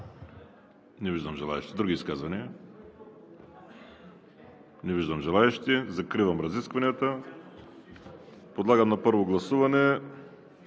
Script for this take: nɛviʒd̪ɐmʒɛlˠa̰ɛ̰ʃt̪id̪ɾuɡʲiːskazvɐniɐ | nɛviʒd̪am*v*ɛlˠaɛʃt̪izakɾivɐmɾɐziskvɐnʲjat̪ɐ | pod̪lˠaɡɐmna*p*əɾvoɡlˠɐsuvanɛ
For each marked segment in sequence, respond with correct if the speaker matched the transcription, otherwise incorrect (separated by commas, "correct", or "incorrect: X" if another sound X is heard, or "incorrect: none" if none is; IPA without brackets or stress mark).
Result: incorrect: ʒ, correct